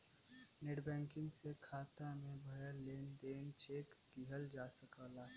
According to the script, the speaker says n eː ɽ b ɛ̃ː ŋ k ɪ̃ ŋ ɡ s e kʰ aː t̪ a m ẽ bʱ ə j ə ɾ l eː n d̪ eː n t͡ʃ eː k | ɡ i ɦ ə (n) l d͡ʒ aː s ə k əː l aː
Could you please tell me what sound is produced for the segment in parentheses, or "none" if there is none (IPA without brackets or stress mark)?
none